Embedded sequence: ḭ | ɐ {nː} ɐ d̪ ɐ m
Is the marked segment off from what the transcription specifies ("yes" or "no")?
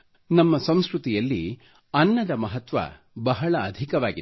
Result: no